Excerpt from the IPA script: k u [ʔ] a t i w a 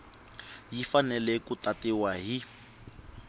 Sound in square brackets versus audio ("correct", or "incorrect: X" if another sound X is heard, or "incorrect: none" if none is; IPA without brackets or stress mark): incorrect: t